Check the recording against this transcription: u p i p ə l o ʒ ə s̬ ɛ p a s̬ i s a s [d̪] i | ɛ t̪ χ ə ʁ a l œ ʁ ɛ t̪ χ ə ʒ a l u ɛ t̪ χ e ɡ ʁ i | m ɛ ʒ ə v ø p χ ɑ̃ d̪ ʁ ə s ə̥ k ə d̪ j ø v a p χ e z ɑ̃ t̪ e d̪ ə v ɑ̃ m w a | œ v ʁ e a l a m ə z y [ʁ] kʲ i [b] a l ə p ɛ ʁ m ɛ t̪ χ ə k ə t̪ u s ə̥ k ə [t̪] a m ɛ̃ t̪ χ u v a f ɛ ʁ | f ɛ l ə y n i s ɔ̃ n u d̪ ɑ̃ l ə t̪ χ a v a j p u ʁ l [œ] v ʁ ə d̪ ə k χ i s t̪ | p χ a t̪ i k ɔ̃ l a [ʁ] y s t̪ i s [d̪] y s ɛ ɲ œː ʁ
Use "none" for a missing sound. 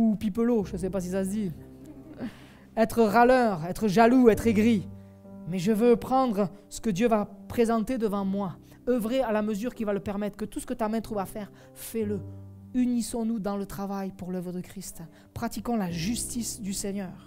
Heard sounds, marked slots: d̪, ʁ, v, t̪, œ, ʒ, d̪

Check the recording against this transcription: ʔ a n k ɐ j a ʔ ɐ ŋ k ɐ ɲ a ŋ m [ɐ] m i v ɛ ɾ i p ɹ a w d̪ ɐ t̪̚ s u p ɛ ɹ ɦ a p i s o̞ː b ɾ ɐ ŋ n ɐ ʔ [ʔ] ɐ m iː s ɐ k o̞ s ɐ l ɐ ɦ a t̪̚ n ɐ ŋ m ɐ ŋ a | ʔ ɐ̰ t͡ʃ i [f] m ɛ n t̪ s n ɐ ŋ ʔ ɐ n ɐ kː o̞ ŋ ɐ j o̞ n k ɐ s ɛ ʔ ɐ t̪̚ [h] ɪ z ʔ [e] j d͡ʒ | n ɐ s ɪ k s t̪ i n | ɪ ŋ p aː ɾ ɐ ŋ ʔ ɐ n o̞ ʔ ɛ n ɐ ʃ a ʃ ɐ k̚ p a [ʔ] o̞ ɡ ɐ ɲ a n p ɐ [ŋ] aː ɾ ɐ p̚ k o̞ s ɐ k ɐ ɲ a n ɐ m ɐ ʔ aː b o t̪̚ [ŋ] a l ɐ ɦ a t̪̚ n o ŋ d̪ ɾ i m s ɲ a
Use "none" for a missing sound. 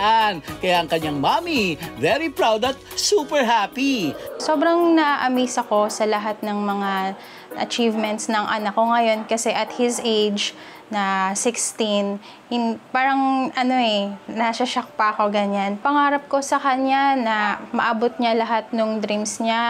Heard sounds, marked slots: a, ʔ, v, h, e, k, ŋ, ɲ

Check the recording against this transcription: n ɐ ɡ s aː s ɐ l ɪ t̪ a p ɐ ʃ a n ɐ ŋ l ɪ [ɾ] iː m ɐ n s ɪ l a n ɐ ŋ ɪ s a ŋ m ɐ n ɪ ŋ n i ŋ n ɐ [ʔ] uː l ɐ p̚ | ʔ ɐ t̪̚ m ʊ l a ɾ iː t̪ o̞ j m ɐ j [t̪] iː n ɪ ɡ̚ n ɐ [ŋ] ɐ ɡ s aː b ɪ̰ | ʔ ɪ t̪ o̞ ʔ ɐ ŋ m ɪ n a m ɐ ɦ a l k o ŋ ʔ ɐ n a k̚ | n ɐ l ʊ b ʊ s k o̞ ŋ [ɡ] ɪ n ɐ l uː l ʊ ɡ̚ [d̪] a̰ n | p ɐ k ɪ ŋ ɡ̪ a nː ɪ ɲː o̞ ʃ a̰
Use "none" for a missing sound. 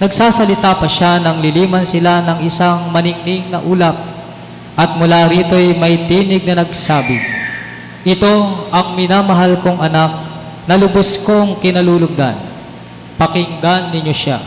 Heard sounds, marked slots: l, ʔ, t̪, n, k, d̪

